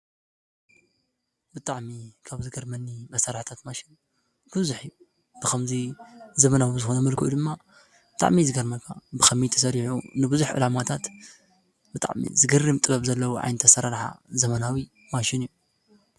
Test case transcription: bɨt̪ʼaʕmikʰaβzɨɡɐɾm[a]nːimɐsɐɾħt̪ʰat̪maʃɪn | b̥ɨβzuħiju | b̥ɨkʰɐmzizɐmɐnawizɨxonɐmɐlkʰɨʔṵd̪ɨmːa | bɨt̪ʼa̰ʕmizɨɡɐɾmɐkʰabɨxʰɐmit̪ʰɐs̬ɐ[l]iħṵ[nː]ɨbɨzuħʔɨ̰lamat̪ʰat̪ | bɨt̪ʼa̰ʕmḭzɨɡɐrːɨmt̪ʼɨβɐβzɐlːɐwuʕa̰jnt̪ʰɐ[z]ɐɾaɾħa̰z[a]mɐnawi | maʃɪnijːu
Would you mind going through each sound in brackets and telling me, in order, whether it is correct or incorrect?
incorrect: ɐ, incorrect: ɾ, incorrect: n, incorrect: s, incorrect: ɐ

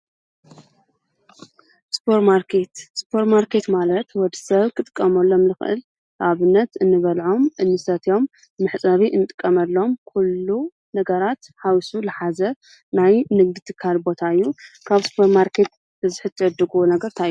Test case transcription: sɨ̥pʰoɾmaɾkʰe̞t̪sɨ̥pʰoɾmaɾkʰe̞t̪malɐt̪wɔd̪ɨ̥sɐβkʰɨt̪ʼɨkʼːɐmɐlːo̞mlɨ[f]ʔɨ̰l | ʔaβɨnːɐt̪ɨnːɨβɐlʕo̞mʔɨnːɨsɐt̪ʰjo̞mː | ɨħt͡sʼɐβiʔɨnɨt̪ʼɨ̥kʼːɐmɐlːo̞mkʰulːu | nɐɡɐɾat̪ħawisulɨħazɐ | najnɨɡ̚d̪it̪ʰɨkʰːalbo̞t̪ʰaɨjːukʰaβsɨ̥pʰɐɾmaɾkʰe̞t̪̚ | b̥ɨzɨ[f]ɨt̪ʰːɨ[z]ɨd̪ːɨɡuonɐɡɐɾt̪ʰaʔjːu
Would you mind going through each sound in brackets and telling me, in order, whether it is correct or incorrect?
incorrect: x, incorrect: ħ, incorrect: ʕ

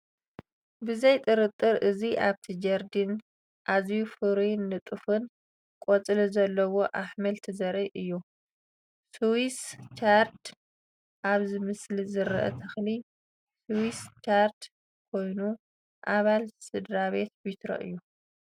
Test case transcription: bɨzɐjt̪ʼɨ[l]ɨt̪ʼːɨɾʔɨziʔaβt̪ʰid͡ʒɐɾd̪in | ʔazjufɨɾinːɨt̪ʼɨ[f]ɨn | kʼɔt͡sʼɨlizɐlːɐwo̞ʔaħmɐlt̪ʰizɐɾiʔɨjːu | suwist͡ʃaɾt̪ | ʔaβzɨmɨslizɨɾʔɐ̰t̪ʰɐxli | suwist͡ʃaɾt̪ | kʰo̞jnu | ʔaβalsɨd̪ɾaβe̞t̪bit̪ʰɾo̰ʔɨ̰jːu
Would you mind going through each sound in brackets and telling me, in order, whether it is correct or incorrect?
incorrect: ɾ, correct

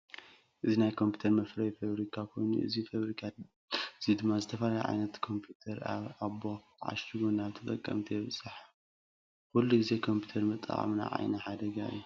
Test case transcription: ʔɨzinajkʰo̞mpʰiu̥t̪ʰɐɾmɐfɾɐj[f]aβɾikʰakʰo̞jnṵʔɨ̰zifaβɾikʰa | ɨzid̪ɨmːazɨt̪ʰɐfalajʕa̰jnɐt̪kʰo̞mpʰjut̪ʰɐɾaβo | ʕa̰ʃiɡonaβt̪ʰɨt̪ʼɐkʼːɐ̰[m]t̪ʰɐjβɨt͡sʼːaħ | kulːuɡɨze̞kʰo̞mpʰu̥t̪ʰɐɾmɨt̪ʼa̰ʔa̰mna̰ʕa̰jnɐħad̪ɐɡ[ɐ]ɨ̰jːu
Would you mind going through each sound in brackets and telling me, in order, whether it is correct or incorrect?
correct, correct, incorrect: a

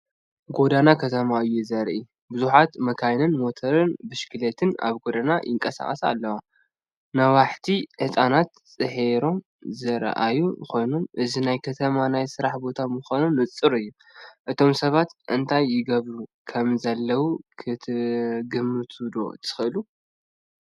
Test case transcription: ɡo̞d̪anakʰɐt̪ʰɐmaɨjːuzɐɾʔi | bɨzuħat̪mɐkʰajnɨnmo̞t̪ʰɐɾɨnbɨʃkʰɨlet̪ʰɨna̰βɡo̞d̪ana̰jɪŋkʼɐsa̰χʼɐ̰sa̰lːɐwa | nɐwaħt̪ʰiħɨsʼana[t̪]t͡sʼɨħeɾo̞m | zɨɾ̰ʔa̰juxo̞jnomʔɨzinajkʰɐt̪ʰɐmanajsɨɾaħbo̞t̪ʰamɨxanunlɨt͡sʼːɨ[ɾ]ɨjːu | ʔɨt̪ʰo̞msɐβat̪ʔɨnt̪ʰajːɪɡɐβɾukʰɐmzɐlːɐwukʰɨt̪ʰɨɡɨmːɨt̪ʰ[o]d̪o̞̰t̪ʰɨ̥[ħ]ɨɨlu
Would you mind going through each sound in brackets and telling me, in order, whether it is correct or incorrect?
correct, correct, incorrect: u, incorrect: x

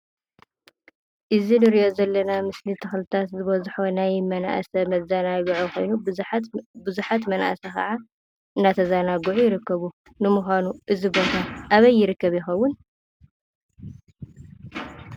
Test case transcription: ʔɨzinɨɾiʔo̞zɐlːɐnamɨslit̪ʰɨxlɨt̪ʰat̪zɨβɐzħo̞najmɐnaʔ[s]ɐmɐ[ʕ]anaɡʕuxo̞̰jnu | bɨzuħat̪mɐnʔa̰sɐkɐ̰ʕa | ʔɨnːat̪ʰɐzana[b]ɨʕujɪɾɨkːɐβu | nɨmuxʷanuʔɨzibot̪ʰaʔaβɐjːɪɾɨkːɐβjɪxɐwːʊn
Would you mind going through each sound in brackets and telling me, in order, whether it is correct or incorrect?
correct, incorrect: z, incorrect: ɡ

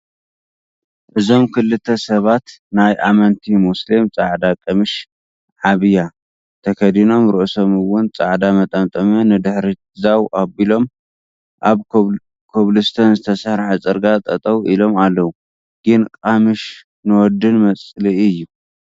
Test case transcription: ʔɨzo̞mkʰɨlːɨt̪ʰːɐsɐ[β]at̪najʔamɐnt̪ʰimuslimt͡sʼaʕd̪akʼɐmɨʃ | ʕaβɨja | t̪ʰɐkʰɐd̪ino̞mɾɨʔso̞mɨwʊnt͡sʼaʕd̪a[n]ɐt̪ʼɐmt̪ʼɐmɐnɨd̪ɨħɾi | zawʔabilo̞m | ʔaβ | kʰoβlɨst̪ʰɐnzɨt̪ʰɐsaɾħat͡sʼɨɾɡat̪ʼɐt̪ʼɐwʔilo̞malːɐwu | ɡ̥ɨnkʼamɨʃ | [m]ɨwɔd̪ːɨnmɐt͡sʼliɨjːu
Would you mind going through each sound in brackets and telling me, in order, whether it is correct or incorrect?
correct, incorrect: m, incorrect: n

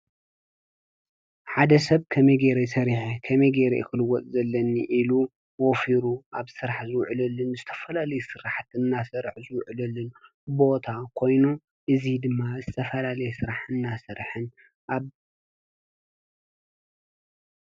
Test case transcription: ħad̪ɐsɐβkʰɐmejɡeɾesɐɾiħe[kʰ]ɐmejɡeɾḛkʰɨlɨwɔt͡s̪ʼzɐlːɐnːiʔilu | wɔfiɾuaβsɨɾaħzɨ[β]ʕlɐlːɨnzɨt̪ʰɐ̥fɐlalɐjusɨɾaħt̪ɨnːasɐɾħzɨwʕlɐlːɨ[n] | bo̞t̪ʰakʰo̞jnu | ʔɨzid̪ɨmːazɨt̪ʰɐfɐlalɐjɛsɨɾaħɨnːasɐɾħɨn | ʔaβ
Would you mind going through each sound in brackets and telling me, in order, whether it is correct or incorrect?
correct, incorrect: w, correct

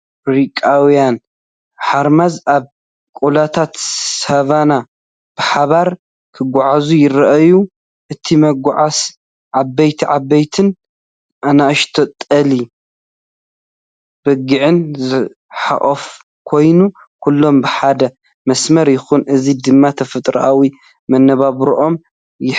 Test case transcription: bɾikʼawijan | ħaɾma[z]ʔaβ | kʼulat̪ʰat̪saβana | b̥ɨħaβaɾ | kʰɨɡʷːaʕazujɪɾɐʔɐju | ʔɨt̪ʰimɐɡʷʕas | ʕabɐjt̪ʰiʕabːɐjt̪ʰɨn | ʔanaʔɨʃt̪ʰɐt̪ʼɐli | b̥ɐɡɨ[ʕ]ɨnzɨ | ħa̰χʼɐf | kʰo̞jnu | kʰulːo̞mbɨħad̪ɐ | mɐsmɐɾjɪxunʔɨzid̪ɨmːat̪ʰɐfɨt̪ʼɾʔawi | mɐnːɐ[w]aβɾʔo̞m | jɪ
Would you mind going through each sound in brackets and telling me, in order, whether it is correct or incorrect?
correct, correct, incorrect: β

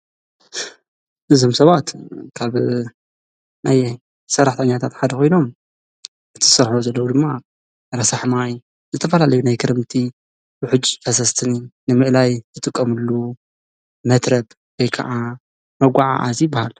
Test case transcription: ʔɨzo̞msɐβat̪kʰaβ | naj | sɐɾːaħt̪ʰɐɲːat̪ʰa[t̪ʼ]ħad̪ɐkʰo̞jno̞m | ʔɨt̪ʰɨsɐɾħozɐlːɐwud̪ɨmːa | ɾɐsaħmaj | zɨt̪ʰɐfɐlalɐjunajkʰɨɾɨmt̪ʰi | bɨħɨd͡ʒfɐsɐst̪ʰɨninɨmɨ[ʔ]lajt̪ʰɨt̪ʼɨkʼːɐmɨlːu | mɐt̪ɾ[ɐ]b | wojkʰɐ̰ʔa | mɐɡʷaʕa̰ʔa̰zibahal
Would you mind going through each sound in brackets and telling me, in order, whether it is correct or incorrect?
incorrect: t̪, correct, correct

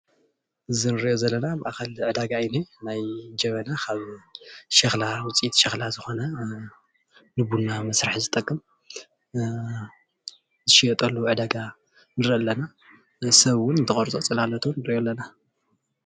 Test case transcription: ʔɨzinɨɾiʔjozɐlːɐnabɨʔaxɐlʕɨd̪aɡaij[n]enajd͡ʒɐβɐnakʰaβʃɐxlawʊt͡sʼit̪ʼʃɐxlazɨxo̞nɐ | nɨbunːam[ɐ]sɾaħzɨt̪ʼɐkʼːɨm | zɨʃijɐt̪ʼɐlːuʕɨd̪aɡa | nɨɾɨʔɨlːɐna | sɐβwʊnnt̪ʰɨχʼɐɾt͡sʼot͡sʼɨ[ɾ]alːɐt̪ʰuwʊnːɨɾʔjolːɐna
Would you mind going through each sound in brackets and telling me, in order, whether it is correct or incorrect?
correct, correct, incorrect: l

